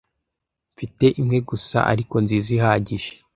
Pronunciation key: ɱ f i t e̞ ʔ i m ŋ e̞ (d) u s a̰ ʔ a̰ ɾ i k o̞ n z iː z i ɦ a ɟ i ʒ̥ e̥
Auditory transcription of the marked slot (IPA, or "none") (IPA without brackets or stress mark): ɡ